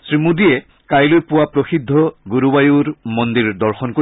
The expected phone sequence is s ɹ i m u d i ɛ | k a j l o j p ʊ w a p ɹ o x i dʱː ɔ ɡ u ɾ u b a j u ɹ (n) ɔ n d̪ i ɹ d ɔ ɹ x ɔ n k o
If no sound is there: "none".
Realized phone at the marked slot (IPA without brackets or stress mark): m